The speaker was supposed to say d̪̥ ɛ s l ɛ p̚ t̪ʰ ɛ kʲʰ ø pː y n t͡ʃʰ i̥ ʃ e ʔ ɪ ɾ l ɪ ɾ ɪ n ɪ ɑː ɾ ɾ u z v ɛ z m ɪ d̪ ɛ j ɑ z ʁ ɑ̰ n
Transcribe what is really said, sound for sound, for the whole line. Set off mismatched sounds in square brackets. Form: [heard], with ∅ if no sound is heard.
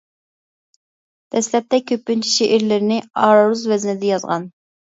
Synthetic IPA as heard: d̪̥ ɛ s l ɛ p̚ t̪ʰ ɛ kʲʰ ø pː y n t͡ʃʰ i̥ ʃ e ʔ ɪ ɾ l ɪ ɾ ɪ n ɪ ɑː ɾ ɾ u z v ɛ z [n] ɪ d̪ ɛ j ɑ z ʁ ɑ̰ n